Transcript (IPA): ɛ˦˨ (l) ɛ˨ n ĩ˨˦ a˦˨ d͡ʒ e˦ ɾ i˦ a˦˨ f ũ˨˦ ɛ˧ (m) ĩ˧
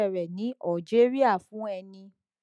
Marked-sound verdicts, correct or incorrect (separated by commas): incorrect, incorrect